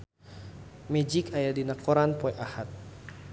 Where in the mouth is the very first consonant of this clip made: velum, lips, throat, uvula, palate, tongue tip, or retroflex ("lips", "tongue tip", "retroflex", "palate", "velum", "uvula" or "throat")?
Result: lips